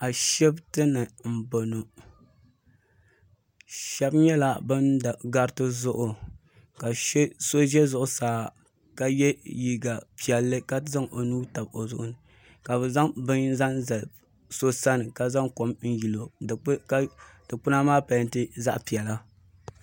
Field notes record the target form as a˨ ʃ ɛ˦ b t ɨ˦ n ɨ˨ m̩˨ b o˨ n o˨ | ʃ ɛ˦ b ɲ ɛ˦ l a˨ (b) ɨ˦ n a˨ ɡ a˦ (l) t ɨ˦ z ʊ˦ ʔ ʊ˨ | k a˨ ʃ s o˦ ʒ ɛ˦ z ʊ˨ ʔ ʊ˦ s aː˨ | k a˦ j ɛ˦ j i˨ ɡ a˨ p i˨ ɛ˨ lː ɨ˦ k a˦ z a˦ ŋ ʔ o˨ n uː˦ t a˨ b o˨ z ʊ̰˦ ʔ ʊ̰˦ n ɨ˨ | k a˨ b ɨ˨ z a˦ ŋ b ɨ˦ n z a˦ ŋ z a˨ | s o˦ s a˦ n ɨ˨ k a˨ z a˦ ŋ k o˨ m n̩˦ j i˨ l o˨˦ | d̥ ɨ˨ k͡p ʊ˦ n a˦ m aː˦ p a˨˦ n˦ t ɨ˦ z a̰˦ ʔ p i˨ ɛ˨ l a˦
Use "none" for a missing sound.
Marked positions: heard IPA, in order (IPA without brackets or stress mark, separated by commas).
b, ɾ